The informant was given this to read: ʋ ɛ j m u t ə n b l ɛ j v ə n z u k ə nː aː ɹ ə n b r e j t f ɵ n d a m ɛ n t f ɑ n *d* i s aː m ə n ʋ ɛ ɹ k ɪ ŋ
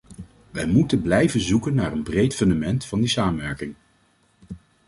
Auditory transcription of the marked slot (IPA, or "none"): d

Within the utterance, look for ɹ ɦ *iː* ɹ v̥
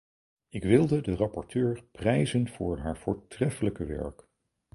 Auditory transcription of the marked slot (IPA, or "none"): aː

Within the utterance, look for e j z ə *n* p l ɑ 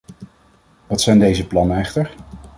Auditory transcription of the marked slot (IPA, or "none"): none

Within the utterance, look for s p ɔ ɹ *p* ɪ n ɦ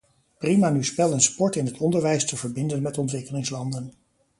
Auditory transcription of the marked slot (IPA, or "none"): t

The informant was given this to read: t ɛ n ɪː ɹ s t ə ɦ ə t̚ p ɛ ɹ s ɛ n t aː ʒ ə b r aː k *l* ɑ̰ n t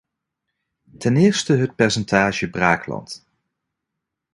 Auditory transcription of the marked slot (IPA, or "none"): l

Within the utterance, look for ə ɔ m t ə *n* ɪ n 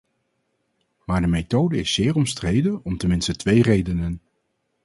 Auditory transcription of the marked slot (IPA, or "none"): m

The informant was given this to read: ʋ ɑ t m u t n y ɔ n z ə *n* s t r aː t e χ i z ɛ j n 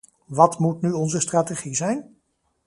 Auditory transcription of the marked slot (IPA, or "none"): none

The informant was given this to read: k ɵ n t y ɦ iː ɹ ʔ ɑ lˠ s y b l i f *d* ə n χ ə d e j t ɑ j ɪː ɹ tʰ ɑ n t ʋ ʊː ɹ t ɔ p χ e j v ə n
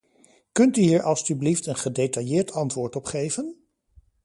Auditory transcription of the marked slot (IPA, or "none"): t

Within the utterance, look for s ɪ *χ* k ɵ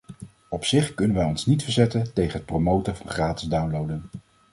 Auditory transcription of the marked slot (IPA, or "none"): χ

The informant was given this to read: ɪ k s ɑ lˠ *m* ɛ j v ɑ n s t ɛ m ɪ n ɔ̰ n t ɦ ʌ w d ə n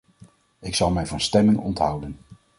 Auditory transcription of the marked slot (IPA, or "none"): m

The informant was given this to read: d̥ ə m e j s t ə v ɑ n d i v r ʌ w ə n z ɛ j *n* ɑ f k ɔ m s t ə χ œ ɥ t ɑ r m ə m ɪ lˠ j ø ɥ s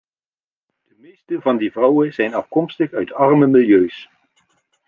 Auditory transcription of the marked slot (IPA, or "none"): n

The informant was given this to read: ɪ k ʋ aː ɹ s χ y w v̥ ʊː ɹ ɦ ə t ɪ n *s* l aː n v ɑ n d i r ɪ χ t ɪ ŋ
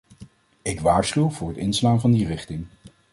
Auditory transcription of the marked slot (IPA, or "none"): s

